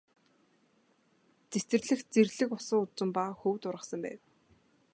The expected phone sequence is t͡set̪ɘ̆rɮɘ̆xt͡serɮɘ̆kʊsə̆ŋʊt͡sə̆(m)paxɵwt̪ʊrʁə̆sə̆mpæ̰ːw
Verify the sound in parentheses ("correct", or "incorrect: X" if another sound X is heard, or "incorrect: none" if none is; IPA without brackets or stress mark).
correct